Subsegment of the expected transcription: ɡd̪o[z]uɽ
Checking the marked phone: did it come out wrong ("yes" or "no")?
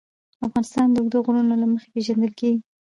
yes